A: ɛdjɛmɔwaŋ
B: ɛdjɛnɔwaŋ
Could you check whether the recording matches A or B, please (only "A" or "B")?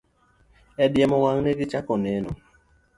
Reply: A